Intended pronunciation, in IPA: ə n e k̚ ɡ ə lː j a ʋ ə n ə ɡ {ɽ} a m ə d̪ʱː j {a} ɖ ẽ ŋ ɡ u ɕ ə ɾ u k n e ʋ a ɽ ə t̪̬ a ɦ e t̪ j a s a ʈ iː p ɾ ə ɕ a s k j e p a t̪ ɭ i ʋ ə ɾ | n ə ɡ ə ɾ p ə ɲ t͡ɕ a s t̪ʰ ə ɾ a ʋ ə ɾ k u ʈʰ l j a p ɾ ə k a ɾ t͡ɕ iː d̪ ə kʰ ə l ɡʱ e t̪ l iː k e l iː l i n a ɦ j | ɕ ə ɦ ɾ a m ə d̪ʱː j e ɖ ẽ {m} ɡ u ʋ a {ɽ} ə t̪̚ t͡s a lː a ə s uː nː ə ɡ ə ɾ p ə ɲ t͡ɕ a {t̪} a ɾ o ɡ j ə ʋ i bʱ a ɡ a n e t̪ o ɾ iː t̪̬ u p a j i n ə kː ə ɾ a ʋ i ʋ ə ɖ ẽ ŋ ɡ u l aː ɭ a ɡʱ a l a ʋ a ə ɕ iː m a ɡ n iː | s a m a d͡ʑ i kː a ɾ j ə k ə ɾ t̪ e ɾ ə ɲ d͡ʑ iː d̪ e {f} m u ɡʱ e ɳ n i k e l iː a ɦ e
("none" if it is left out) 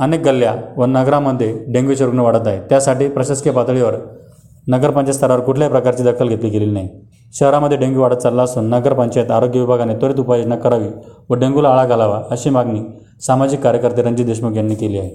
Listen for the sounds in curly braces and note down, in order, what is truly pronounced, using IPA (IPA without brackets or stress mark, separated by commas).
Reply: ɾ, e, ŋ, ɽ, t̪, ɕ